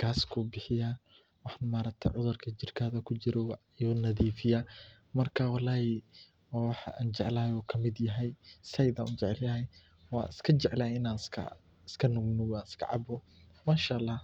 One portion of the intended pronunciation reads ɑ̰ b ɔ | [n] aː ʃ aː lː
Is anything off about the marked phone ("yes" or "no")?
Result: yes